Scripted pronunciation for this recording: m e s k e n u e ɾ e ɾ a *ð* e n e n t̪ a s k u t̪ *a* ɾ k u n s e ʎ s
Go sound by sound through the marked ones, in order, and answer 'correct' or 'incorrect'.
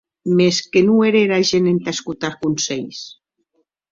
incorrect: ʒ, correct

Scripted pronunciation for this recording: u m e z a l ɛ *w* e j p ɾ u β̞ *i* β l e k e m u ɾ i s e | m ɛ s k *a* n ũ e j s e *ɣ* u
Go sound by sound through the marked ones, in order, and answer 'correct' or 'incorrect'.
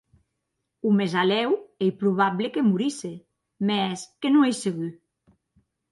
correct, incorrect: a, incorrect: e, correct

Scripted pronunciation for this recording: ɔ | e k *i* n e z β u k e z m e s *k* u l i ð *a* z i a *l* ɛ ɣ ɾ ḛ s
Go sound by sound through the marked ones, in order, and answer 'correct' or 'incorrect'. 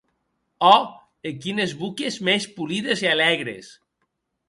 correct, incorrect: p, incorrect: e, correct

